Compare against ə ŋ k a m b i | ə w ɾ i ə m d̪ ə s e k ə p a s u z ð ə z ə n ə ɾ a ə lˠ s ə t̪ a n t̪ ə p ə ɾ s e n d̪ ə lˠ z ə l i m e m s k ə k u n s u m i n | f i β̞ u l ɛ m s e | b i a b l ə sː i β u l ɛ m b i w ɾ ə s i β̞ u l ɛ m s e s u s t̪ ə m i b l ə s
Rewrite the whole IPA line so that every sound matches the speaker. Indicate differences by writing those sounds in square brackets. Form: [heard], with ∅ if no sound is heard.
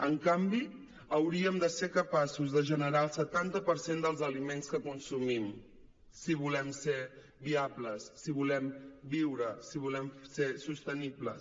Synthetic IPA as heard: ə ŋ k a m b i | ə w ɾ i ə m d̪ ə s e k ə p a s u z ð ə [ʒ] ə n ə ɾ a ə lˠ s ə t̪ a n t̪ ə p ə ɾ s e n d̪ ə lˠ z ə l i m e [n] s k ə k u n s u m i [m] | [s] i β̞ u l ɛ m s e | b i a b l ə sː i β u l ɛ m b i w ɾ ə s i β̞ u l ɛ m s e s u s t̪ ə [n] i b l ə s

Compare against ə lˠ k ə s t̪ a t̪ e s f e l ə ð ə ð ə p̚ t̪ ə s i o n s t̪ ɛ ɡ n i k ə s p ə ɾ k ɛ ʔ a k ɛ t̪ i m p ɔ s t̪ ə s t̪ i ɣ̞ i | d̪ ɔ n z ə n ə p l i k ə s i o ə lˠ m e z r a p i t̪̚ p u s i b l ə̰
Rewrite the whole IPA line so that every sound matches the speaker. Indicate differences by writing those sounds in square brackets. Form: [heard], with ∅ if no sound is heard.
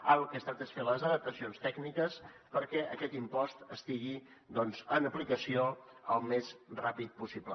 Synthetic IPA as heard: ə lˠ k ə s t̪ a t̪ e s f e l ə [z] ə ð ə p̚ t̪ ə s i o n s t̪ ɛ ɡ n i k ə s p ə ɾ k ɛ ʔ [ə] k ɛ t̪ i m p ɔ s t̪ ə s t̪ i ɣ̞ i | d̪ ɔ n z ə n ə p l i k ə s i o ə lˠ m e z r a p i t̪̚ p u s i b l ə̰

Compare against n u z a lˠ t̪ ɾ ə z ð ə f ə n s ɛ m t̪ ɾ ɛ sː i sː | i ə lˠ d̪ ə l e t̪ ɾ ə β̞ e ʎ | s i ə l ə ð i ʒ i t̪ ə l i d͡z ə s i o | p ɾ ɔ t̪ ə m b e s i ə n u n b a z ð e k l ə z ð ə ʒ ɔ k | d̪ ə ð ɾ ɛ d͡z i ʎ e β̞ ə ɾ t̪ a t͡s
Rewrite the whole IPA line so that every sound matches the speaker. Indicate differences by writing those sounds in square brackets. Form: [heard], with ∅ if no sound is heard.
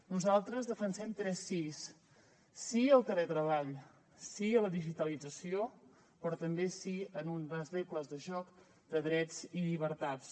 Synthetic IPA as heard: n u z a lˠ t̪ ɾ ə z ð ə f ə n s ɛ m t̪ ɾ ɛ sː i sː | i ə lˠ [t̪] ə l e t̪ ɾ ə β̞ [a] ʎ | s i ə l ə ð i ʒ i t̪ ə l i d͡z ə s i o | p ɾ ɔ t̪ ə m b e s i ə n u n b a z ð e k l ə z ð ə ʒ ɔ k | d̪ ə ð ɾ ɛ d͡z i ʎ [i] β̞ ə ɾ t̪ a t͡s

